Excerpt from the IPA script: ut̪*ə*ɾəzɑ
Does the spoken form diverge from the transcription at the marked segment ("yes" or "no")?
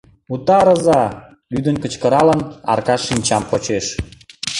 yes